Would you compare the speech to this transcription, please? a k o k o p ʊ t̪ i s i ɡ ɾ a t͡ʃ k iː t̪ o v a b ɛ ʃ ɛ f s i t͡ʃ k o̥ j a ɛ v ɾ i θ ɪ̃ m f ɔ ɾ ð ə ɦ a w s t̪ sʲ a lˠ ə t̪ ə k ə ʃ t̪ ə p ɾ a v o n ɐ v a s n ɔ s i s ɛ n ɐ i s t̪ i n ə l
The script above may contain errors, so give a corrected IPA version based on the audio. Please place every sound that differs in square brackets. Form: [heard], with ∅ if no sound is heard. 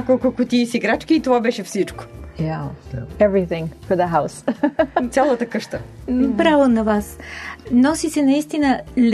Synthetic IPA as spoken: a k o k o [k] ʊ t̪ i s i ɡ ɾ a t͡ʃ k iː t̪ o v a b ɛ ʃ ɛ f s i t͡ʃ k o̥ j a ɛ v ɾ i θ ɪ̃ [ŋ] f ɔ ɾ ð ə ɦ a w s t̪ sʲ a lˠ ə t̪ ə k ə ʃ t̪ ə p ɾ a v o n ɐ v a s n ɔ s i s ɛ n ɐ i s t̪ i n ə l